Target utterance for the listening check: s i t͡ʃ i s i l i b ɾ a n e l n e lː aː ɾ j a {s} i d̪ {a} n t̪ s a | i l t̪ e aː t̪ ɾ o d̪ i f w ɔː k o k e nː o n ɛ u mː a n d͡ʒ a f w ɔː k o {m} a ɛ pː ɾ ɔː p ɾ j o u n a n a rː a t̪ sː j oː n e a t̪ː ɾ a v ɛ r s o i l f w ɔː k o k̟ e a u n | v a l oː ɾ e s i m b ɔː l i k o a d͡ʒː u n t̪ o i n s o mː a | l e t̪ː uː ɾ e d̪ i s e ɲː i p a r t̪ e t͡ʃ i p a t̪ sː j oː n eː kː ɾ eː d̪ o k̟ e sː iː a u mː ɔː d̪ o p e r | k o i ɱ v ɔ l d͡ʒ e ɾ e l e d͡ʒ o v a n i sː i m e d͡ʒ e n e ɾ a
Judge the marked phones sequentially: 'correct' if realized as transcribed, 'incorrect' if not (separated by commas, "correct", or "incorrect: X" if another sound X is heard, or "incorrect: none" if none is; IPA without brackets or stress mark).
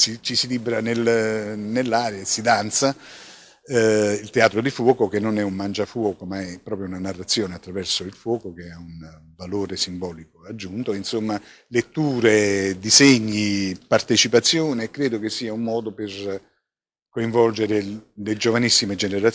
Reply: correct, correct, correct